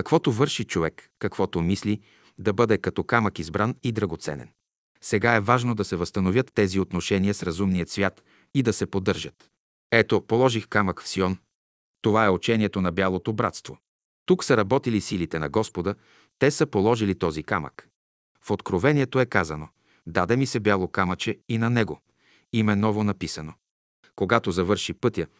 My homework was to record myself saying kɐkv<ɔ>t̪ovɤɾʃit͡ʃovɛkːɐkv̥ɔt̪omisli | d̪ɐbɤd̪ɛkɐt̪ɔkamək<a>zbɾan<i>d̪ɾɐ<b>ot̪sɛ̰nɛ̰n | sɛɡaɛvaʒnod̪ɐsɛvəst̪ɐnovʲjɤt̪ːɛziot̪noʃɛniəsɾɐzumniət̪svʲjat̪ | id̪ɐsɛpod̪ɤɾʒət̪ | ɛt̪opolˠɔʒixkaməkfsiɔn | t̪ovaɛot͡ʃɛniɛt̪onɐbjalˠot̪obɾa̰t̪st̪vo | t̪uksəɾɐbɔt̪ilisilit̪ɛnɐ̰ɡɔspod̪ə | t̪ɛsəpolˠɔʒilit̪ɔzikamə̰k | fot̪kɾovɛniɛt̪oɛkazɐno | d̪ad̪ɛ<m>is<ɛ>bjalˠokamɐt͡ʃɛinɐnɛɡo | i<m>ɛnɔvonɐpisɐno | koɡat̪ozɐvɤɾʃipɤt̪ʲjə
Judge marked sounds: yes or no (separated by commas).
yes, no, yes, no, yes, yes, yes